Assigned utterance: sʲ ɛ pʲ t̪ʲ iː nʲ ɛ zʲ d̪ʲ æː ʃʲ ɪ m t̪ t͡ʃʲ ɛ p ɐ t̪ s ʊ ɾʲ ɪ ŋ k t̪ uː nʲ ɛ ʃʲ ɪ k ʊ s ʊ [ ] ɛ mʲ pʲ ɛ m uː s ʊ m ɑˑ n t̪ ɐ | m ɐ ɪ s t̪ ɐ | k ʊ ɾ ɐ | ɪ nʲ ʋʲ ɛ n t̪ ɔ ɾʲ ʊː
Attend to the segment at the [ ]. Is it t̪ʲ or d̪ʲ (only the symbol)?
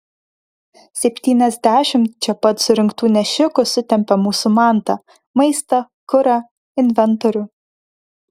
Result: t̪ʲ